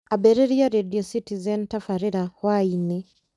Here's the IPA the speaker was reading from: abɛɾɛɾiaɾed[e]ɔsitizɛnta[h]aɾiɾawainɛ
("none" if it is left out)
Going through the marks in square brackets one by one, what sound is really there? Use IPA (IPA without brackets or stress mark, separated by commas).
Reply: i, f